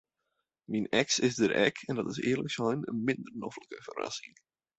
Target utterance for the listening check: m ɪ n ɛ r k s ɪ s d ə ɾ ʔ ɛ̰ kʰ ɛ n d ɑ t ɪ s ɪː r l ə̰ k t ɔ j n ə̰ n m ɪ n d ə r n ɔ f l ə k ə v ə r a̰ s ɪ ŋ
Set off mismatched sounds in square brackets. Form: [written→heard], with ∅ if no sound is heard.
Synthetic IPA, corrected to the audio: m [ɪ→i] n ɛ [r→∅] k s ɪ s d ə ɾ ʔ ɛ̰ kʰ ɛ n d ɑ t ɪ s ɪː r l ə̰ k [t→s] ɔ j n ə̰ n m ɪ n d ə r n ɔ f l ə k ə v ə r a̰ s ɪ ŋ

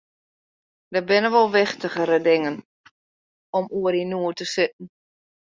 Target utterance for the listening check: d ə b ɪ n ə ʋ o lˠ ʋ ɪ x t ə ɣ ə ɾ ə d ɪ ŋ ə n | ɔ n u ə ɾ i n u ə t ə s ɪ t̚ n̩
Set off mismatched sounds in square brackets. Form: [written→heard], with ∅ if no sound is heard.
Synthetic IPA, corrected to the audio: d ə b ɪ n ə ʋ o lˠ ʋ ɪ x t ə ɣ ə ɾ ə d ɪ ŋ ə n | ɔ [n→m] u ə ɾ i n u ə t ə s ɪ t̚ n̩

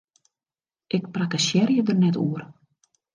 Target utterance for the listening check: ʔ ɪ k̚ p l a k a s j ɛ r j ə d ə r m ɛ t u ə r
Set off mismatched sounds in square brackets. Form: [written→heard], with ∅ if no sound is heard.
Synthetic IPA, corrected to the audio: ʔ ɪ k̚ p [l→r] a k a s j ɛ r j ə d ə r [m→n] ɛ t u ə r

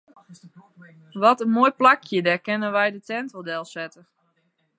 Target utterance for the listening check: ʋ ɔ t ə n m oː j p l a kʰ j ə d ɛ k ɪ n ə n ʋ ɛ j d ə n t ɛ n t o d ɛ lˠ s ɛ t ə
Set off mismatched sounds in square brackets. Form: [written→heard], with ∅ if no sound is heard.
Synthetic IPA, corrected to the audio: ʋ ɔ t ə n m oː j p l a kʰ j ə d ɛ k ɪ n ə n ʋ ɛ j d ə [n→∅] t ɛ n t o d ɛ lˠ s ɛ t ə

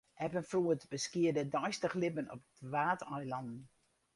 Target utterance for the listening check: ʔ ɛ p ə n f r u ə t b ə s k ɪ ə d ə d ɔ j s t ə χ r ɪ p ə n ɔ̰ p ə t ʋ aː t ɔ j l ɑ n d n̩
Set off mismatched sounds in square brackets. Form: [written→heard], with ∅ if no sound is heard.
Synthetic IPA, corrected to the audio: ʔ ɛ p ə n f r u ə t b ə s k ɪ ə d ə d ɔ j s t ə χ [r→l] ɪ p ə n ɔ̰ p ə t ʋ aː t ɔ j l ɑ n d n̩

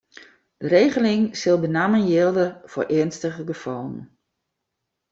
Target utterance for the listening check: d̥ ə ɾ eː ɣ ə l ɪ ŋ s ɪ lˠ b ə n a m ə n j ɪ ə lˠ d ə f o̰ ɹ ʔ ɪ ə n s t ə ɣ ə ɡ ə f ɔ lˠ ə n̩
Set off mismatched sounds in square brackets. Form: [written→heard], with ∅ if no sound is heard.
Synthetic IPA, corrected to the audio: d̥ ə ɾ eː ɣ ə l ɪ ŋ s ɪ lˠ b ə n a m ə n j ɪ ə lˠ d ə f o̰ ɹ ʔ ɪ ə n s t ə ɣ ə ɡ ə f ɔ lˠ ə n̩

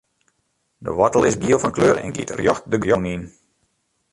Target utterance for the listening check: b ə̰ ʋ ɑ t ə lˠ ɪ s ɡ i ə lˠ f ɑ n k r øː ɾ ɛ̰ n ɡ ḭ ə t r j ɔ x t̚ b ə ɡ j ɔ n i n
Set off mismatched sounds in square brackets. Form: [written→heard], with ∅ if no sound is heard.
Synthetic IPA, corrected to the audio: [b→d] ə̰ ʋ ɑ t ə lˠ ɪ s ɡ i ə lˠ f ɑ n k [r→l] øː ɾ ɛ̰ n ɡ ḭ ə t r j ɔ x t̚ [b→d] ə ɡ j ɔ n i n

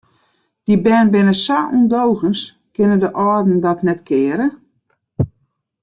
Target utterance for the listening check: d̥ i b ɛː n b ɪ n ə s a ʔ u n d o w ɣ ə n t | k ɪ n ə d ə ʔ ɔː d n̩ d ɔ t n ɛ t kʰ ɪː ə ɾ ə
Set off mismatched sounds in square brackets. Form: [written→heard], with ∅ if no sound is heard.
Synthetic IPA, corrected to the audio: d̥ i b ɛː n b ɪ n ə s a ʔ u n d o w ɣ ə n [t→s] | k ɪ n ə d ə ʔ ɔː d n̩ d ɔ t n ɛ t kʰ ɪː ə ɾ ə

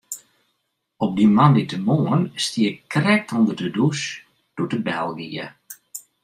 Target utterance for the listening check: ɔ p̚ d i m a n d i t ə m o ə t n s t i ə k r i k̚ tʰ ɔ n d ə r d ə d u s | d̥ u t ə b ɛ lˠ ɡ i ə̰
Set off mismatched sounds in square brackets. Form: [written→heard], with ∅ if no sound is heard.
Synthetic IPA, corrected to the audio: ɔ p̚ d i m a n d i t ə m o ə [t→∅] n s t i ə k r [i→ɛ] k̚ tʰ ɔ n d ə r d ə d u s | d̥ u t ə b ɛ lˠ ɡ i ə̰

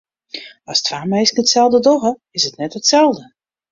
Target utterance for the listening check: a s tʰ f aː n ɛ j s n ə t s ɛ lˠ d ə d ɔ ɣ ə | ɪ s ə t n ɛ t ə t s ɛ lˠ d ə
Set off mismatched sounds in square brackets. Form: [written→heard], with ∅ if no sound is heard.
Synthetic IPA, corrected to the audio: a s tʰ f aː [n→m] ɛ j s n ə t s ɛ lˠ d ə d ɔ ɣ ə | ɪ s ə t n ɛ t ə t s ɛ lˠ d ə

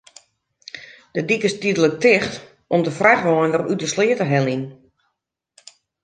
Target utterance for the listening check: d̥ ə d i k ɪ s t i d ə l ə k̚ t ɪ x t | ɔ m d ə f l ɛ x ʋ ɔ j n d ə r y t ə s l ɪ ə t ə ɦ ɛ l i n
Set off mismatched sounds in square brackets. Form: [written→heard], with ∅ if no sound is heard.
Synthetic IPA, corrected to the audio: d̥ ə d i k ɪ s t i d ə l ə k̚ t ɪ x t | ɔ m d ə f [l→r] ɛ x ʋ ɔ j n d ə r y t ə s l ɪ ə t ə ɦ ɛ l i n

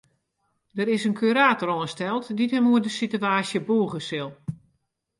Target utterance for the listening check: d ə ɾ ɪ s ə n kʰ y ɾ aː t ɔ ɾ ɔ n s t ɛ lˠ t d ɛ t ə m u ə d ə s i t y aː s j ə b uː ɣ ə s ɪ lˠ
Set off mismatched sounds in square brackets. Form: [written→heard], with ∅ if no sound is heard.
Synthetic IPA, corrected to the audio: d ə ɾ ɪ s ə n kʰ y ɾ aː t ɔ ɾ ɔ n s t ɛ lˠ t d [ɛ→i] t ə m u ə d ə s i t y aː s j ə b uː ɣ ə s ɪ lˠ

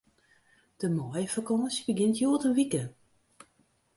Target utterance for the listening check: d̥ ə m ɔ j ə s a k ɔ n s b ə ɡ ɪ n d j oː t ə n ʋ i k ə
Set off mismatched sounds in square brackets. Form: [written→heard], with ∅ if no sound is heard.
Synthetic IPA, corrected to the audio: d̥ ə m ɔ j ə [s→f] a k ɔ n s b ə ɡ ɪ n [d→t] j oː t ə n ʋ i k ə

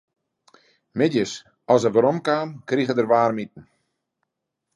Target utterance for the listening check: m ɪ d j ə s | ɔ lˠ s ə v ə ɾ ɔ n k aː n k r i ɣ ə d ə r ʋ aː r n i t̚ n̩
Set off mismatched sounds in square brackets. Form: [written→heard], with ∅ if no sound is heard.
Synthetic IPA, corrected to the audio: m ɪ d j ə s | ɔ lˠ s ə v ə ɾ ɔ [n→m] k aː [n→m] k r i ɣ ə d ə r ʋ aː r [n→m] i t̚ n̩

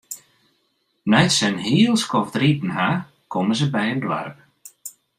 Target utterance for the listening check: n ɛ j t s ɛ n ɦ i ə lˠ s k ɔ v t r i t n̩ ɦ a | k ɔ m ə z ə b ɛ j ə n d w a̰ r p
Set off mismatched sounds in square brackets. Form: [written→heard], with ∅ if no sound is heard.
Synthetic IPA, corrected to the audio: n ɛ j t s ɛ n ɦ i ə lˠ s k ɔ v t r i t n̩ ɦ a | k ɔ m ə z ə b ɛ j ə n d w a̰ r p

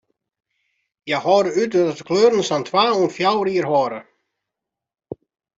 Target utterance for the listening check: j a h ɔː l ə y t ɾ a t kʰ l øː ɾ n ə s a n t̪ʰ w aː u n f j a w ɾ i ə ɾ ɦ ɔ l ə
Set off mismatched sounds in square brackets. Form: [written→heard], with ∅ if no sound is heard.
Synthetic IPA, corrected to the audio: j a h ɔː [l→ɾ] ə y t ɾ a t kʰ l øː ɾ n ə s a n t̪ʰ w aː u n f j a w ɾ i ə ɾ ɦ ɔ [l→ɾ] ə

